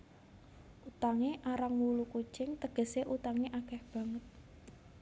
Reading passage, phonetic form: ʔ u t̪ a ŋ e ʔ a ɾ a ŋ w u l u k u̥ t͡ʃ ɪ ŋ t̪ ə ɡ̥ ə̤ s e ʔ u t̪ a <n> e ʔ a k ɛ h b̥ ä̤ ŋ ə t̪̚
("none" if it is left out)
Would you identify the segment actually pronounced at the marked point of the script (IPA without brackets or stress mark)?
ŋ